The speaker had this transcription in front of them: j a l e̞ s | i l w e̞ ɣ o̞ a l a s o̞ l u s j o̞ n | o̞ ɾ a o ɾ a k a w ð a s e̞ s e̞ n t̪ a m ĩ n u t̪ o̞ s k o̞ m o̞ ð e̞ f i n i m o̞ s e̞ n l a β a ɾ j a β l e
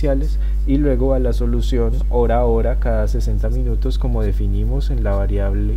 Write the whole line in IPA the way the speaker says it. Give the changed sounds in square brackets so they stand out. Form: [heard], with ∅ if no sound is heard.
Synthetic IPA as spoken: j a l e̞ s | i l w e̞ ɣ o̞ a l a s o̞ l u s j o̞ n | o̞ ɾ a o ɾ a k a [∅] ð a s e̞ s e̞ n t̪ a m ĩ n u t̪ o̞ s k o̞ m o̞ ð e̞ f i n i m o̞ s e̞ n l a β a ɾ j a β l e